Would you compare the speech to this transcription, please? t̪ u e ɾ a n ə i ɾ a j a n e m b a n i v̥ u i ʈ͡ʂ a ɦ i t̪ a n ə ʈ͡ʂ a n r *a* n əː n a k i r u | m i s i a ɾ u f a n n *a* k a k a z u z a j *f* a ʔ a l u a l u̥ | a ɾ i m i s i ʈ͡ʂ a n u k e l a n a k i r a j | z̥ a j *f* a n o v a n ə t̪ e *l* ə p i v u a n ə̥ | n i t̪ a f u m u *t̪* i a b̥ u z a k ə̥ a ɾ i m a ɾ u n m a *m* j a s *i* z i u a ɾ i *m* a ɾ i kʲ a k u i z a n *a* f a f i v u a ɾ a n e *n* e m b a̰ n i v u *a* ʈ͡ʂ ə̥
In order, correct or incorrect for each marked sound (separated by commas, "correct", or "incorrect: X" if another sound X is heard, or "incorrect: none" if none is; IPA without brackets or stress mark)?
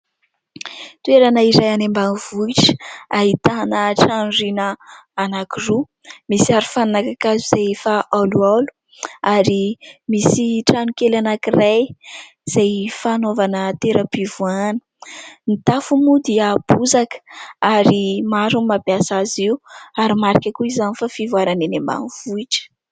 incorrect: i, correct, correct, correct, incorrect: ɾ, incorrect: d̪, incorrect: b, incorrect: a, correct, incorrect: i, correct, incorrect: i